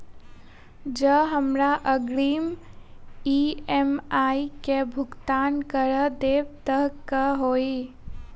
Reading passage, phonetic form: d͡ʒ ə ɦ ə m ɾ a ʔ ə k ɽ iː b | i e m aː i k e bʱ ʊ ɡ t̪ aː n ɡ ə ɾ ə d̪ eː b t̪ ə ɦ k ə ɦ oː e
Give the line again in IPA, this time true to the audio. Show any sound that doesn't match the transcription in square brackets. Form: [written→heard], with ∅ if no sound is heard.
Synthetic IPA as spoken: d͡ʒ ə ɦ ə m ɾ a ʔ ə [k→ɡ] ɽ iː [b→m] | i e m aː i k e bʱ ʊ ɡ t̪ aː n [ɡ→k] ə ɾ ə d̪ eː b t̪ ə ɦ k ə ɦ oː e